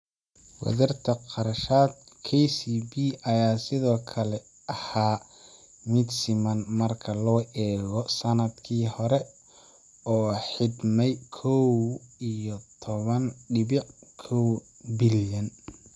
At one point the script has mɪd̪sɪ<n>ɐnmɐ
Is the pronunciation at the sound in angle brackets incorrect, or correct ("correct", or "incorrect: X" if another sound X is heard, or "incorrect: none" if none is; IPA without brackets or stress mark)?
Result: incorrect: m